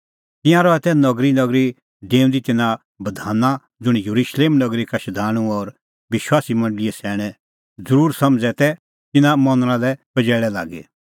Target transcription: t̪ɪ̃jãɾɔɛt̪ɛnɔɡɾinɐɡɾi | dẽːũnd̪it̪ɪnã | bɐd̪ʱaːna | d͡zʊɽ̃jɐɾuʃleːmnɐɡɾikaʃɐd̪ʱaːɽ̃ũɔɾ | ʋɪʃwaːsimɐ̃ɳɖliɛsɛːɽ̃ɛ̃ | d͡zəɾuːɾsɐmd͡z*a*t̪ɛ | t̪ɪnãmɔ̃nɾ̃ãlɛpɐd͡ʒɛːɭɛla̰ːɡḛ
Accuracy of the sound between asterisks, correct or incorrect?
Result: incorrect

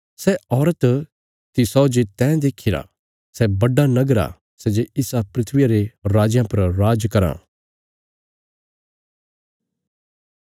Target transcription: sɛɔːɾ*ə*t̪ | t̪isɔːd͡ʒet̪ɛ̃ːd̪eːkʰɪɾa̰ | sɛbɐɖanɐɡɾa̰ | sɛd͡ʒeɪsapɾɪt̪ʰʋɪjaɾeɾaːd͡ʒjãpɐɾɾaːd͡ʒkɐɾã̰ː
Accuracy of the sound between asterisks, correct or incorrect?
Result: correct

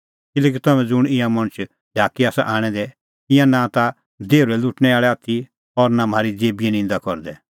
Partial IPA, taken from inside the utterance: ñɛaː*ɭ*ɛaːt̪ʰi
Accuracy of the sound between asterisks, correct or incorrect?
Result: correct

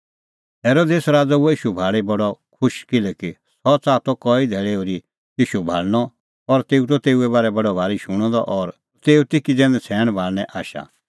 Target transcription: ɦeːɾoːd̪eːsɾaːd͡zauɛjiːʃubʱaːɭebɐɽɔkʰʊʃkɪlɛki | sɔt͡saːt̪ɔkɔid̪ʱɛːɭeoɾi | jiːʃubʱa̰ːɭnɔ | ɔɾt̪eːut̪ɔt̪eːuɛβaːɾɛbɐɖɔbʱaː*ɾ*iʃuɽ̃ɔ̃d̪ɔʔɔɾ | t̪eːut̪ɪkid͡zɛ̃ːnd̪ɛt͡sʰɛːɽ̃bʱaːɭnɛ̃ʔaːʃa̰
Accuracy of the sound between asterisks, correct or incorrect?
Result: correct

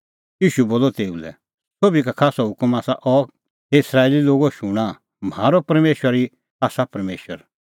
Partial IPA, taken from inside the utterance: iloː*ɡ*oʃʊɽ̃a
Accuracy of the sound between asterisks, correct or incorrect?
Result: correct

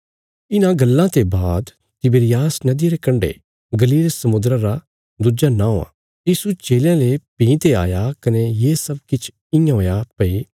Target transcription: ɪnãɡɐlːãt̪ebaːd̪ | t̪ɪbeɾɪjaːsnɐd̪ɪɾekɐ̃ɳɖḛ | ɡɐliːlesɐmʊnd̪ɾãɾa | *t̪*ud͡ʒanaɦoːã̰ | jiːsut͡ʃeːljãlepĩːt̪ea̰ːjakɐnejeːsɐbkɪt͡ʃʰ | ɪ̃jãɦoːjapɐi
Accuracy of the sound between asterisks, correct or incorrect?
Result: incorrect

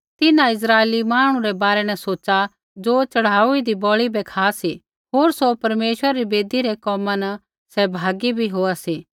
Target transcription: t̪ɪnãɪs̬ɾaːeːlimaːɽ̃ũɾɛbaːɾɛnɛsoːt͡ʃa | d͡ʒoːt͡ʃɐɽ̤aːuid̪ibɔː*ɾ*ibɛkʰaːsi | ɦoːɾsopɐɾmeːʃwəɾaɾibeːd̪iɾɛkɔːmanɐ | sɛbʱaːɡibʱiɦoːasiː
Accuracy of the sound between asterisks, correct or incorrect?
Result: incorrect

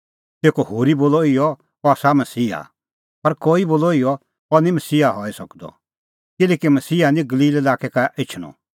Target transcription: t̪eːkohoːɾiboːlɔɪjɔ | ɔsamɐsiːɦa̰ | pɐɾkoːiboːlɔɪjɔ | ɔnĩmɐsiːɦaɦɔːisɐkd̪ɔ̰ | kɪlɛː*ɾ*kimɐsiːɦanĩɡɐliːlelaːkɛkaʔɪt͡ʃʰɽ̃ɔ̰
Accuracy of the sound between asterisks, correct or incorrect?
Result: incorrect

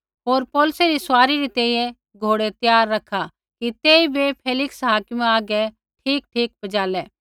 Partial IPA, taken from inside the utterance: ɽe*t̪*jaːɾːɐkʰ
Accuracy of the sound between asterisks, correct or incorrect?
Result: correct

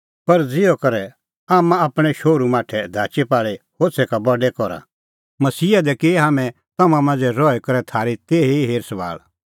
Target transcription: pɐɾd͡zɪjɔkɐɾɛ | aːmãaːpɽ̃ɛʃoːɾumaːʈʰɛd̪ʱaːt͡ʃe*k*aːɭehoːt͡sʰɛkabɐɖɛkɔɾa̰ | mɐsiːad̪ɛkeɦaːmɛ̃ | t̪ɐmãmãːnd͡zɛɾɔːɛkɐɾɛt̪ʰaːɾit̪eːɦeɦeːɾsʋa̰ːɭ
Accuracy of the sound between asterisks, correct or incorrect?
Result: incorrect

